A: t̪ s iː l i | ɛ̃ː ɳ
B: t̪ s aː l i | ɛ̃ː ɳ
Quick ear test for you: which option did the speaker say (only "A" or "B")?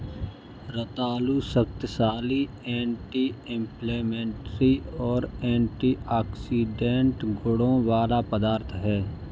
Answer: B